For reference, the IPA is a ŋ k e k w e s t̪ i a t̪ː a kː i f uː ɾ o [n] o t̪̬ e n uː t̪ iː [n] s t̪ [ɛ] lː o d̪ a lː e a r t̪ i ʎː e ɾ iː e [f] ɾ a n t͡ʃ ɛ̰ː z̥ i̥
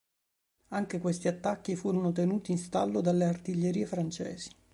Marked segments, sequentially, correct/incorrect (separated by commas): correct, correct, incorrect, correct